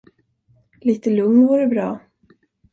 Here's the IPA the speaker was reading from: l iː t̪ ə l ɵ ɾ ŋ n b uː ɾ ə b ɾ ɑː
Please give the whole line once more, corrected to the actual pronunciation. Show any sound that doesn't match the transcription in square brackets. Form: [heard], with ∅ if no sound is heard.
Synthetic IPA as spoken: l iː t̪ ə l ɵ [∅] ŋ n [v] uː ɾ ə b ɾ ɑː